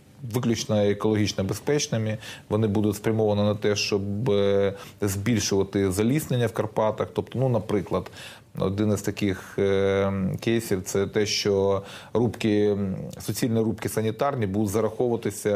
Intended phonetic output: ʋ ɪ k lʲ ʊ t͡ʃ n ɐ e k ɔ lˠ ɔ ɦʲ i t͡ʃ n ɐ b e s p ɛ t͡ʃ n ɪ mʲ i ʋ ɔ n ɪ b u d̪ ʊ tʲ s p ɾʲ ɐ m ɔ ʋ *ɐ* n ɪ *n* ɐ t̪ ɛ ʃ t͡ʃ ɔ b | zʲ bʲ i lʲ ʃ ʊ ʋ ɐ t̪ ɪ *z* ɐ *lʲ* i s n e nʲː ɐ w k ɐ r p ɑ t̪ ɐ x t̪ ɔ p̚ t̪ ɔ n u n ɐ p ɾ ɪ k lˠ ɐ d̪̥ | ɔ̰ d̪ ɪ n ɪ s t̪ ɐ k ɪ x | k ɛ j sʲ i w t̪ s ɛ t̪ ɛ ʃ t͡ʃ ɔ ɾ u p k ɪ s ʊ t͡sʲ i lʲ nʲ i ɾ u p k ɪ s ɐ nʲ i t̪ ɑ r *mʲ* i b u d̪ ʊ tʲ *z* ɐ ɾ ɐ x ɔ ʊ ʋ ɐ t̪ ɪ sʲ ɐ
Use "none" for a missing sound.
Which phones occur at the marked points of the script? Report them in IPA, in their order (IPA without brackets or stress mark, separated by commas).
ɐ, n, z, lʲ, nʲ, z